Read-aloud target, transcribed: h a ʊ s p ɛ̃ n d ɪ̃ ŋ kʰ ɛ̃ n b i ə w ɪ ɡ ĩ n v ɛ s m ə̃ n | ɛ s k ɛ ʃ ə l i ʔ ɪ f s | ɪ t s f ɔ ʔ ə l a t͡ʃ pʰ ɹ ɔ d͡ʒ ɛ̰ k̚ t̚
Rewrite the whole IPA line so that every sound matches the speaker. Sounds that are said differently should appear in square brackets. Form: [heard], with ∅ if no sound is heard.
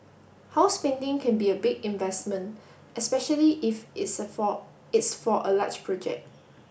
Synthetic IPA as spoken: h a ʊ s p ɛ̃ n d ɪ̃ ŋ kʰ ɛ̃ n b i ə [b] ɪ ɡ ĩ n v ɛ s m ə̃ n | ɛ s [p] ɛ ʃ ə l i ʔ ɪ f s | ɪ t s f ɔ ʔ ə l a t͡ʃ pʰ ɹ ɔ d͡ʒ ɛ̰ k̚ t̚